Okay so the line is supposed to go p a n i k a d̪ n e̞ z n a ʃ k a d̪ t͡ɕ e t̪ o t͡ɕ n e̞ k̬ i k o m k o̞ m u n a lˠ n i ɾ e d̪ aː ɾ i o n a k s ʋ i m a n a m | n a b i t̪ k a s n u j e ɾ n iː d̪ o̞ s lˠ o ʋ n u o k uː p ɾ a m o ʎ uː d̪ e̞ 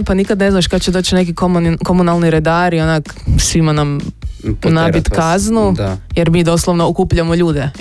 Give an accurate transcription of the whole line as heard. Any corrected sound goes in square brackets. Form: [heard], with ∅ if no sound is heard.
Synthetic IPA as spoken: p a n i k a d̪ n e̞ z n a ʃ k a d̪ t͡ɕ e [d̪] o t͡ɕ n e̞ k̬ i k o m k o̞ m u n a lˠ n i ɾ e d̪ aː ɾ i o n a k s ʋ i m a n a m | n a b i t̪ k a [z] n u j e ɾ [m] iː d̪ o̞ s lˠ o ʋ n [o] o k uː p [ʎ] a m o ʎ uː d̪ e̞